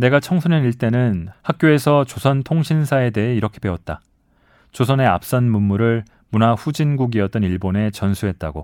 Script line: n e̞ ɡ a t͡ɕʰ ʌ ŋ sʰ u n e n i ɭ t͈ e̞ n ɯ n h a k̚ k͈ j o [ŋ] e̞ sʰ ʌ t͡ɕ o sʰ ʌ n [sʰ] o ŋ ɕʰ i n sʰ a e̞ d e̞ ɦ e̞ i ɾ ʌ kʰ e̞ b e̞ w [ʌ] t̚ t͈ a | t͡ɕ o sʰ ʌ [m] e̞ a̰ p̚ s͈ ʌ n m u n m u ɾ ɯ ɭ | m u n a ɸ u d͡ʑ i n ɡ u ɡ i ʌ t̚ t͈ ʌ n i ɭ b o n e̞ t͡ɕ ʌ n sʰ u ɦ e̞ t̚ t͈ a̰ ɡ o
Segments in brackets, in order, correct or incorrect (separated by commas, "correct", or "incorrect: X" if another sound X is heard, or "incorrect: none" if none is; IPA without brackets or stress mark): incorrect: none, incorrect: tʰ, correct, incorrect: n